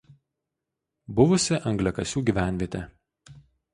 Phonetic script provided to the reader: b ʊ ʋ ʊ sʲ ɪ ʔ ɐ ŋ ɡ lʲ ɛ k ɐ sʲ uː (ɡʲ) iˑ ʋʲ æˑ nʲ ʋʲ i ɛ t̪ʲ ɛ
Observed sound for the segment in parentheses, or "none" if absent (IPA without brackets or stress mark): ɡʲ